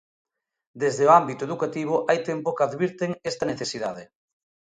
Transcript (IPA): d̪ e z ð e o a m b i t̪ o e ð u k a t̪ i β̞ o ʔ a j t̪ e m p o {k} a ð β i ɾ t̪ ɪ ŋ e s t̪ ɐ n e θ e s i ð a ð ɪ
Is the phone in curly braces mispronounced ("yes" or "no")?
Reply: no